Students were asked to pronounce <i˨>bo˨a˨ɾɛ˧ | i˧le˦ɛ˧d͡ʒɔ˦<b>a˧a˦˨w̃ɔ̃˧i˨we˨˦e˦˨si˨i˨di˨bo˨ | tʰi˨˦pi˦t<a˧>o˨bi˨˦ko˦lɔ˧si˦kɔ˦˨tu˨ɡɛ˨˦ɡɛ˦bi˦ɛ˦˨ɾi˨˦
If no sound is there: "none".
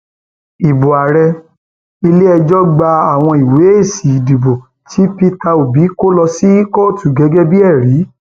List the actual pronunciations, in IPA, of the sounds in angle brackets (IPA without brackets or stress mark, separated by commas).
i˨, ɡ͡b, a˧